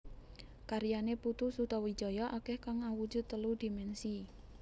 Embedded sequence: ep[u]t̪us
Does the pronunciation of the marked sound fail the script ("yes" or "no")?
no